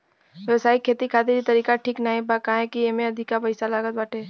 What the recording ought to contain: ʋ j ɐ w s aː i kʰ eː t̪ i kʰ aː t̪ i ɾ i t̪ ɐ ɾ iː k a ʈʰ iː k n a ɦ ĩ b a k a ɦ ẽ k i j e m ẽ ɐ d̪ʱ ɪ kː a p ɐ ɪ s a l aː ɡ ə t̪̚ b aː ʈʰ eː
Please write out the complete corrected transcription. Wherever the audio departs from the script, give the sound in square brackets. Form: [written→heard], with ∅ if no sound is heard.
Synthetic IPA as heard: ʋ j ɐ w s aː i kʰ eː t̪ i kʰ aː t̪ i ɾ i t̪ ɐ ɾ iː k a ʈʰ iː k n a ɦ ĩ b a k a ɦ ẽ k i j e m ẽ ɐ d̪ʱ ɪ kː a p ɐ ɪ s a l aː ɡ ə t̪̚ b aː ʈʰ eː